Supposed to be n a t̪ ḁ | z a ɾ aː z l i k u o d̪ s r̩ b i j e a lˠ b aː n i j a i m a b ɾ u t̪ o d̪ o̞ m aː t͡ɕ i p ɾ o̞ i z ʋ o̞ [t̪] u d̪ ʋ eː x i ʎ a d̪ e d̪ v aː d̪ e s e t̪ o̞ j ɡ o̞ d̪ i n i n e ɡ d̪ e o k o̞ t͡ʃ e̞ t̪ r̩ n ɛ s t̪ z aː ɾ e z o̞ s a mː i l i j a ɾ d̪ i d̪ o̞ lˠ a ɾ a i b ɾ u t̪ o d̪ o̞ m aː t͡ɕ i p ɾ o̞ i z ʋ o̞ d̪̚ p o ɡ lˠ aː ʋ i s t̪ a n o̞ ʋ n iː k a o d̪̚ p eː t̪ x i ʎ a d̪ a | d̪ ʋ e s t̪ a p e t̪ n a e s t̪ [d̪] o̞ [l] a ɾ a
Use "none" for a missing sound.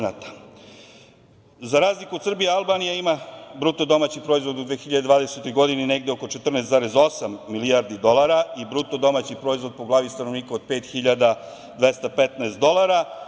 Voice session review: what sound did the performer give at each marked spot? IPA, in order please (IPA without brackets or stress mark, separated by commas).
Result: d̪, d̪, l